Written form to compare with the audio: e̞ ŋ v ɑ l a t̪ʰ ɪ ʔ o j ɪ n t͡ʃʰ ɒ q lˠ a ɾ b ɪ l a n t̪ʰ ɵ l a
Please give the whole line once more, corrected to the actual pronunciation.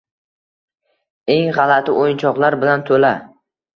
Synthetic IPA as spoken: e̞ ŋ ʁ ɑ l a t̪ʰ ɪ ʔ o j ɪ n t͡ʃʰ ɒ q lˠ a ɾ b ɪ l a n t̪ʰ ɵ l a